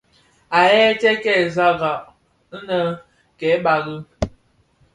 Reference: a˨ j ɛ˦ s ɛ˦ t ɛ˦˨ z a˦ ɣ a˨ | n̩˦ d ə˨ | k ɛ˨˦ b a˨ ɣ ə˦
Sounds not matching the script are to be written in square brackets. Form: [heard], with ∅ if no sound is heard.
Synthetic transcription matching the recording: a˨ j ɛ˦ [t] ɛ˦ [k] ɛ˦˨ z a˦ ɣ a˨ | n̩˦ [n] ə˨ | k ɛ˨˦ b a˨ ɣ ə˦